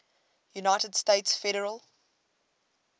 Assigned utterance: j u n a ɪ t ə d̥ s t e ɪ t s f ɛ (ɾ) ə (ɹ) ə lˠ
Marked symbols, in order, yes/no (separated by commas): yes, yes